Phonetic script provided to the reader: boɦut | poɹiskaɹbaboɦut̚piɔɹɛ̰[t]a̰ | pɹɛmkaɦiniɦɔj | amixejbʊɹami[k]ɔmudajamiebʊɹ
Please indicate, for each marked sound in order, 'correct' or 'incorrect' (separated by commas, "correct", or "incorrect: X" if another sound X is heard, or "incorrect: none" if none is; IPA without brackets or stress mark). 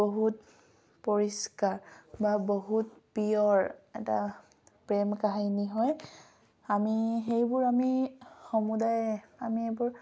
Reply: correct, incorrect: x